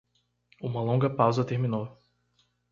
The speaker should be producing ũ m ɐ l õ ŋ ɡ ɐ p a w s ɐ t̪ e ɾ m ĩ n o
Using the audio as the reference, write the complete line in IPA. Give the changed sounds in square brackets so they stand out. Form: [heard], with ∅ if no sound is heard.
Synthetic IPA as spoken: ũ m ɐ l õ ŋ ɡ ɐ p a w [z] ɐ t̪ e ɾ m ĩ n o